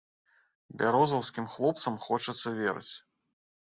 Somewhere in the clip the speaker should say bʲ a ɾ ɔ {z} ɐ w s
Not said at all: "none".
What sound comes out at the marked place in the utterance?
z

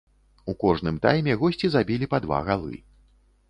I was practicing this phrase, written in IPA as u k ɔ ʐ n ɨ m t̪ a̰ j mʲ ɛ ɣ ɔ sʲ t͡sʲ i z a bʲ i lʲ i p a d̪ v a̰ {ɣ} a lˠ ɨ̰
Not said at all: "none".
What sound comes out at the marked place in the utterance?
ɣ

